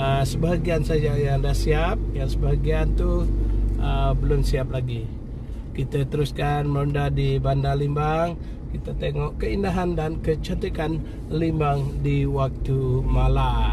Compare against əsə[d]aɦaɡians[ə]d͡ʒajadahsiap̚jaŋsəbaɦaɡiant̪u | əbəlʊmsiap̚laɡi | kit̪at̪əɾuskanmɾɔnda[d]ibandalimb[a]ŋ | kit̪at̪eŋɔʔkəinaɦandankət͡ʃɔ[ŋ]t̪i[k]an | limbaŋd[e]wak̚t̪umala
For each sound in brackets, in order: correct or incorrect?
incorrect, incorrect, correct, correct, incorrect, correct, incorrect

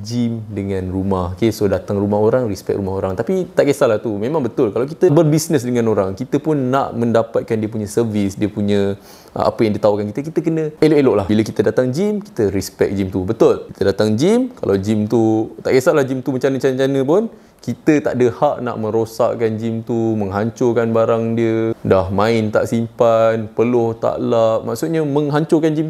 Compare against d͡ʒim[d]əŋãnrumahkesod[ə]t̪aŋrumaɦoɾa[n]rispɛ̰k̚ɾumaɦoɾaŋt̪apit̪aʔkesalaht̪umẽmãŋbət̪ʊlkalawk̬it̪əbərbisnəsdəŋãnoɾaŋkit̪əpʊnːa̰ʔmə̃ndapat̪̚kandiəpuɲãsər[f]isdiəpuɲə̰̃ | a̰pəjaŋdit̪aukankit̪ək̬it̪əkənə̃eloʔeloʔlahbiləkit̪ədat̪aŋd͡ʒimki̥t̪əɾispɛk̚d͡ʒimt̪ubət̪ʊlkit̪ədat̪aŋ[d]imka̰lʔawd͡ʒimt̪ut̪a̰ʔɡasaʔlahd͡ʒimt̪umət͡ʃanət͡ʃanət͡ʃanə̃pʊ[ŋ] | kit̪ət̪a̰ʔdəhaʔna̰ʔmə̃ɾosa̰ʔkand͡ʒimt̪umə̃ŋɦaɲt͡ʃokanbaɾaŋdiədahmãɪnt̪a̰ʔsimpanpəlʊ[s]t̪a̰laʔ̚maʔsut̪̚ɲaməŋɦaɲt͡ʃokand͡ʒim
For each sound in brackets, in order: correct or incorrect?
correct, incorrect, incorrect, incorrect, incorrect, incorrect, incorrect

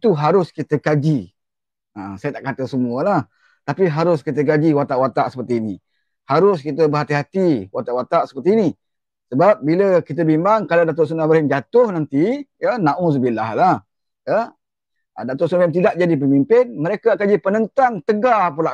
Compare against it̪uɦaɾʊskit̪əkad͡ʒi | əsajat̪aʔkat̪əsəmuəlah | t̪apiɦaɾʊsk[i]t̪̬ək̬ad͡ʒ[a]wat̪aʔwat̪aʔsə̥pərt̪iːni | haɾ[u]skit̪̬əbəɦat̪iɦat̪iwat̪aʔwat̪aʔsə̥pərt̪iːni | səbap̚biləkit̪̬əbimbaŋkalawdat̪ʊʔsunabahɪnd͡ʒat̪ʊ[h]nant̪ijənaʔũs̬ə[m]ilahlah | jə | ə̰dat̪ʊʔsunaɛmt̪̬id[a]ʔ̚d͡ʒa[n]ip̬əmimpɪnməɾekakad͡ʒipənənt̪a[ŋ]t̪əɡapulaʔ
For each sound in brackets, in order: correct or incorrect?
correct, incorrect, incorrect, correct, incorrect, correct, incorrect, correct

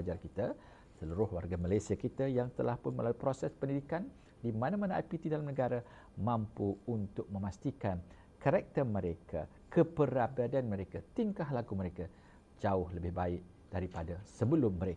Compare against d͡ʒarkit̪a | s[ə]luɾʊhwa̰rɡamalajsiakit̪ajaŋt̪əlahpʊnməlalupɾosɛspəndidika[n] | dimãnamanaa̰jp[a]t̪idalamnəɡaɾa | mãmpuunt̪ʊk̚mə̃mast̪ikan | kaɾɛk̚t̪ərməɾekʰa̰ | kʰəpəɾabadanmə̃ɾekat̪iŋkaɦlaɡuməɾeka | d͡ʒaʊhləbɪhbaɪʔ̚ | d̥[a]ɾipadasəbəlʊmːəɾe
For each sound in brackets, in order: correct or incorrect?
correct, correct, incorrect, correct

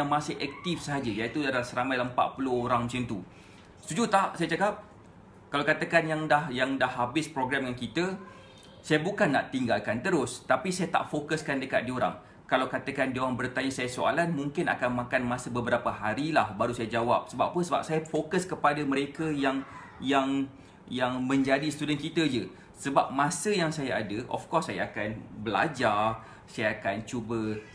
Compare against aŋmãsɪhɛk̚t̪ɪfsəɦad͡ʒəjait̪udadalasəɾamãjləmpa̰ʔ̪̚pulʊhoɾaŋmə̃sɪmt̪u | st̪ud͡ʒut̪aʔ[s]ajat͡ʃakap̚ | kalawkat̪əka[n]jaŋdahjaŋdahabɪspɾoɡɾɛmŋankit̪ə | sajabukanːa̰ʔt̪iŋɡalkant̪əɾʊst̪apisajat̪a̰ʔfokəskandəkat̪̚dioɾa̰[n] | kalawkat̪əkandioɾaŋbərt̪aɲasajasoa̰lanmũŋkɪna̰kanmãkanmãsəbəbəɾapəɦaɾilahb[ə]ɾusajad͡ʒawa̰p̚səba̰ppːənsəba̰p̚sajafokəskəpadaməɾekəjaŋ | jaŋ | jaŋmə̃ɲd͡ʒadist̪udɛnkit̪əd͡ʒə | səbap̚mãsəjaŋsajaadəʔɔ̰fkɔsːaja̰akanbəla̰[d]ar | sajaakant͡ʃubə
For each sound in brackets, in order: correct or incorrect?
correct, correct, incorrect, incorrect, incorrect

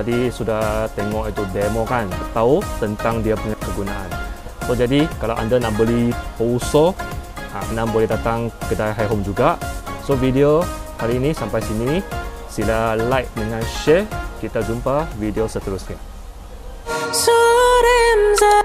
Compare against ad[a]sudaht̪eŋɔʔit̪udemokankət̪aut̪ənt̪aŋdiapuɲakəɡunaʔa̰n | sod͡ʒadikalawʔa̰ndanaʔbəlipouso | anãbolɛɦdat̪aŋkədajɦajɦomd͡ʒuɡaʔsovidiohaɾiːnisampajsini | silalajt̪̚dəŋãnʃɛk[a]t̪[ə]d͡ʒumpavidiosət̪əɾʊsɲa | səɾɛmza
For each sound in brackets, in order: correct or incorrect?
incorrect, incorrect, incorrect

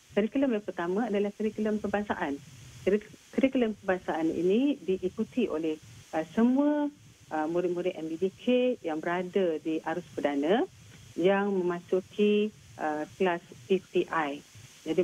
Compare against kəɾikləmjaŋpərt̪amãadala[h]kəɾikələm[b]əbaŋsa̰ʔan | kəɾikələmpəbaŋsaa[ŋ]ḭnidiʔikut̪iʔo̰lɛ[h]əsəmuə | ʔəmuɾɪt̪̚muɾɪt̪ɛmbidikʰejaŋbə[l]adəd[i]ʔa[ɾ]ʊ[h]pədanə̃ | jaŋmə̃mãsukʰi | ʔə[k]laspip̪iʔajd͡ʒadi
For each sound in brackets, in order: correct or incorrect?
correct, incorrect, incorrect, correct, incorrect, correct, correct, incorrect, correct

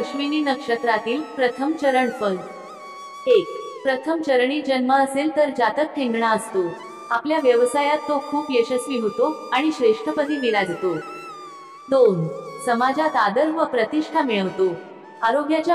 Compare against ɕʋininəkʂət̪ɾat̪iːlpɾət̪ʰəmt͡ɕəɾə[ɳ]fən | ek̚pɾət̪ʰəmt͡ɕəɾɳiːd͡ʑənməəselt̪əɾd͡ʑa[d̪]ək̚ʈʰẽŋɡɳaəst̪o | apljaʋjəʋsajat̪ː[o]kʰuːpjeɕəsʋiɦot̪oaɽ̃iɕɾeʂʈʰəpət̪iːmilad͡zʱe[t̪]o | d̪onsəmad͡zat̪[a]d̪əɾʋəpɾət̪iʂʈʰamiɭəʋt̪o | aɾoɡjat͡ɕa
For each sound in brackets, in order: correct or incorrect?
correct, incorrect, correct, correct, correct

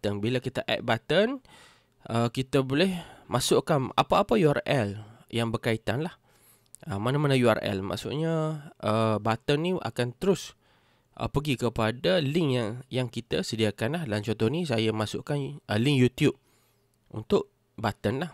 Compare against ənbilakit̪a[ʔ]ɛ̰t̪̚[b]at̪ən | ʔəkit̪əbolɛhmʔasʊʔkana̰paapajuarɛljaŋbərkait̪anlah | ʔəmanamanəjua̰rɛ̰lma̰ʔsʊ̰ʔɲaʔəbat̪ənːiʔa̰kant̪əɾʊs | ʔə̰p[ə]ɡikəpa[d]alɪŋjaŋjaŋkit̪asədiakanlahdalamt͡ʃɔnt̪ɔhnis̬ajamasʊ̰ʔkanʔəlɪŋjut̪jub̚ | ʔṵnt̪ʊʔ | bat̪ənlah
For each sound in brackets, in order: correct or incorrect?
correct, correct, correct, correct

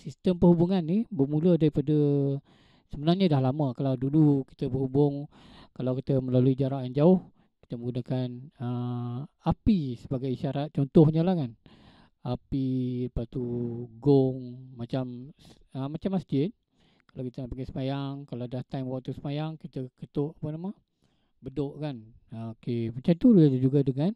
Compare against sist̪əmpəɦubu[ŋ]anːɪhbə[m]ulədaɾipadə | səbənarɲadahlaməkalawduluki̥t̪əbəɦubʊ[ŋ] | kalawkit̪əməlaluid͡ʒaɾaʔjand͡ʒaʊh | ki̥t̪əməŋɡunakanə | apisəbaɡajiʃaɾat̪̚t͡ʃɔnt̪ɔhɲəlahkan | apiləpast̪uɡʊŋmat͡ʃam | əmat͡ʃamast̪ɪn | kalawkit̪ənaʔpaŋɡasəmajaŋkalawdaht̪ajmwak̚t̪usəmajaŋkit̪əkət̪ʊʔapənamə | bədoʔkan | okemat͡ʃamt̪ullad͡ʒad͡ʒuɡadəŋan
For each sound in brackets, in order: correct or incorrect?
correct, correct, correct

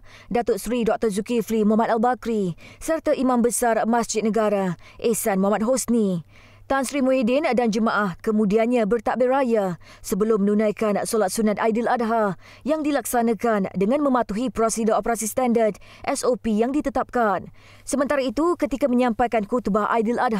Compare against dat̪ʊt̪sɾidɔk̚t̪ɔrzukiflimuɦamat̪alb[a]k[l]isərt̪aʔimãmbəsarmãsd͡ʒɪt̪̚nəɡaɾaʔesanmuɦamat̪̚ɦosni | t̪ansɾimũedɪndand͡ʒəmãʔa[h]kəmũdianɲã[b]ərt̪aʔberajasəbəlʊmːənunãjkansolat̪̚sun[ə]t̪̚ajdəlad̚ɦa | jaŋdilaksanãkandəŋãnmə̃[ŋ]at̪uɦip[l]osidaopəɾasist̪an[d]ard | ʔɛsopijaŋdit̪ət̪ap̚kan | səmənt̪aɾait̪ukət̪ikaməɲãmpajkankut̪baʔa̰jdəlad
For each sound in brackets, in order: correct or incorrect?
correct, incorrect, correct, correct, incorrect, incorrect, incorrect, correct

